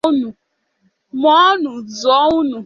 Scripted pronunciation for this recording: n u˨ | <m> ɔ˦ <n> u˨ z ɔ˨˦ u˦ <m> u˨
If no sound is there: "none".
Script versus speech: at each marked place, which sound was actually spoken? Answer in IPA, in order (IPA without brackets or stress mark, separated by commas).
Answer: m, n, n